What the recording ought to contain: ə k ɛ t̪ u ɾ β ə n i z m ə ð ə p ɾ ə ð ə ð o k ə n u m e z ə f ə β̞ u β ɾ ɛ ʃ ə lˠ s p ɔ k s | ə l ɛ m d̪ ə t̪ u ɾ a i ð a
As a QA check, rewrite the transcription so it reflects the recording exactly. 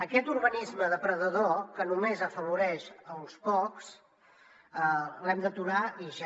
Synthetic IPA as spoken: ə k ɛ t̪ u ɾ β ə n i z m ə ð ə p ɾ ə ð ə ð o k ə n u m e z ə f ə β̞ u ɾ ɛ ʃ ə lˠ s p ɔ k s | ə l ɛ m d̪ ə t̪ u ɾ a i ʒ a